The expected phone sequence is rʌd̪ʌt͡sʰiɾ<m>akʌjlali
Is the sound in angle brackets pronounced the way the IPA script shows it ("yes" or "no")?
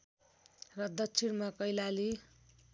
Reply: yes